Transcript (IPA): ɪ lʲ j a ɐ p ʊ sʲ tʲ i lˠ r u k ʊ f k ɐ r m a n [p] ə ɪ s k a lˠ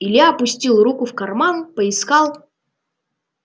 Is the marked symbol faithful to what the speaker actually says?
yes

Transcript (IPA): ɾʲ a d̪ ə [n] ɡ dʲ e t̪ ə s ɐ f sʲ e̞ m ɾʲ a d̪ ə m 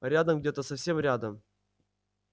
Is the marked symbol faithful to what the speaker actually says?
no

